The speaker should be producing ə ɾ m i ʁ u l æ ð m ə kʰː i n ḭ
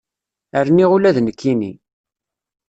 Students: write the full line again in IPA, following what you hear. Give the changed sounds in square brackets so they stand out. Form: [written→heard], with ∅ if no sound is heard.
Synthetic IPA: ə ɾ [m→n] i ʁ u l æ ð [m→n] ə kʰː i n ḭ